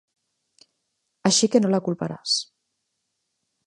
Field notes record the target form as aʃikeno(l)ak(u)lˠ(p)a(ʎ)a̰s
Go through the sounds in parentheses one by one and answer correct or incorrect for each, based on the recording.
correct, correct, correct, incorrect

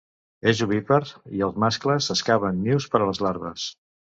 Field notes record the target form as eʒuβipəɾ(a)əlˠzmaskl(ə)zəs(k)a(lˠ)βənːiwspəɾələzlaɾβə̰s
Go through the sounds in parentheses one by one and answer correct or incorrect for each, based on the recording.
incorrect, correct, correct, incorrect

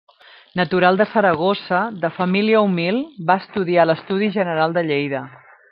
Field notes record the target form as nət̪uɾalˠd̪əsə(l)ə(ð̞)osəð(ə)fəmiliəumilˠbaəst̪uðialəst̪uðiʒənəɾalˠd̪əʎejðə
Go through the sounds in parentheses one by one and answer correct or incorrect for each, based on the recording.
incorrect, incorrect, correct

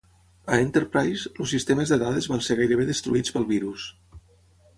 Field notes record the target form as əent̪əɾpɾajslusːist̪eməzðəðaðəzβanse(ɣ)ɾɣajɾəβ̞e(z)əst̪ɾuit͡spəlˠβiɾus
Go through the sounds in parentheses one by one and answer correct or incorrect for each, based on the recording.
incorrect, incorrect

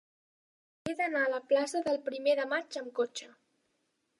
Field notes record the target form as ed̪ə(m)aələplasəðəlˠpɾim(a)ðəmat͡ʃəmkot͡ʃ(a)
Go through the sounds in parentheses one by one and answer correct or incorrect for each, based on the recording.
incorrect, incorrect, incorrect

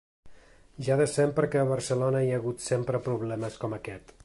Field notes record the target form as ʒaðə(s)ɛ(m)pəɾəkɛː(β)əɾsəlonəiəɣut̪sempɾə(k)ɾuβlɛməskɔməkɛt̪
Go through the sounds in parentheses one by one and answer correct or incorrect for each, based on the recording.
correct, correct, correct, incorrect

